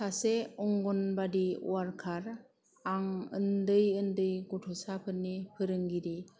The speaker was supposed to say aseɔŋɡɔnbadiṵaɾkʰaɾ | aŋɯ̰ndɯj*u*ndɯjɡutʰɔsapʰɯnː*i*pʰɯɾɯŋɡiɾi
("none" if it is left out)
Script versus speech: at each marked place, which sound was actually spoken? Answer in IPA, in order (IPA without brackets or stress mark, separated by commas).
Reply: ɯ, i